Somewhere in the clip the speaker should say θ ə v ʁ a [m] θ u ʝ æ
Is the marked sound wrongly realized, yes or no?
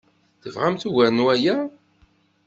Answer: no